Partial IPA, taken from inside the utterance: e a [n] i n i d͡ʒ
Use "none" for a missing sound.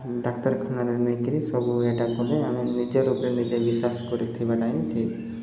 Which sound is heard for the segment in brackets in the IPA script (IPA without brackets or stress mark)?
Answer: m